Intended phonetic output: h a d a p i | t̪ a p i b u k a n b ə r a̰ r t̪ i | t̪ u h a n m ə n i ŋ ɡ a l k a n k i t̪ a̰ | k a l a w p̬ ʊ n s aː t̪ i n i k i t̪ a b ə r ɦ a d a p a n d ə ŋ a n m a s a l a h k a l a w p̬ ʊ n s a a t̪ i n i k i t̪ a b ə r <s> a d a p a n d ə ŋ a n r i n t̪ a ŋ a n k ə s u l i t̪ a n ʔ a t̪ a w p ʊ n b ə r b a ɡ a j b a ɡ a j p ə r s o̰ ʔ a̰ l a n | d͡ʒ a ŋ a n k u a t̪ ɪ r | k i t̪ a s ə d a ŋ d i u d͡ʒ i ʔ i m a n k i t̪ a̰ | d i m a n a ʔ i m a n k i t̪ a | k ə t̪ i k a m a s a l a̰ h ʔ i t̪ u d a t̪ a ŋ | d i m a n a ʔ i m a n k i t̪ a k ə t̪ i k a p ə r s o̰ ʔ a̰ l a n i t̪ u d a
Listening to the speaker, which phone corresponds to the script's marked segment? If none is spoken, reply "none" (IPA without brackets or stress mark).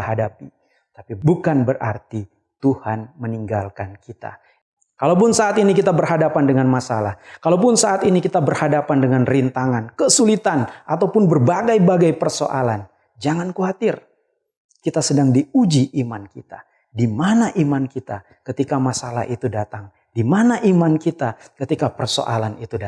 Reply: h